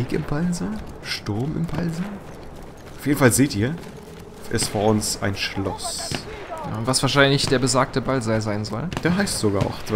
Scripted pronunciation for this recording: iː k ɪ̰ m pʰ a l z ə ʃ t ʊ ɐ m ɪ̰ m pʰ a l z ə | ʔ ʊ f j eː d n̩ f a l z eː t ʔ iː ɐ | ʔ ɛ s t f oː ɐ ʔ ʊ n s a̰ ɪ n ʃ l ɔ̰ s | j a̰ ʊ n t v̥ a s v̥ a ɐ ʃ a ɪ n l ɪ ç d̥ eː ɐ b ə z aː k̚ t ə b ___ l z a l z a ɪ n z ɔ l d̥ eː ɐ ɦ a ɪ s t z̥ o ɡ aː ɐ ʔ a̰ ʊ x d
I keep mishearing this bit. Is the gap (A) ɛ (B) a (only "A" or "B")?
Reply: B